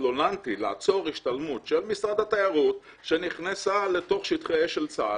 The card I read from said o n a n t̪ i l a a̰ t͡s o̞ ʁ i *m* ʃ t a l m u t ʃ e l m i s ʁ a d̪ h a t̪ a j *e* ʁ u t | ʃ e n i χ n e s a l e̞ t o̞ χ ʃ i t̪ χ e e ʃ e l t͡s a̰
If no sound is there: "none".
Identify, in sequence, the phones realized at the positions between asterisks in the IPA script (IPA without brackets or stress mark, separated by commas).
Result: none, a